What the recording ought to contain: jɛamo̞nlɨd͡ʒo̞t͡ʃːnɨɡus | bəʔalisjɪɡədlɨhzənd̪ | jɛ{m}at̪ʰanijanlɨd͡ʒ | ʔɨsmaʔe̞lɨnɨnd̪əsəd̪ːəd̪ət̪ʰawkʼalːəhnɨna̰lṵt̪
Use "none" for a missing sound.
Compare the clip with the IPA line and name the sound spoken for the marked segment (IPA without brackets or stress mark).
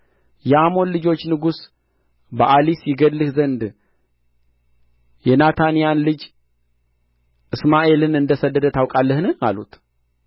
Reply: n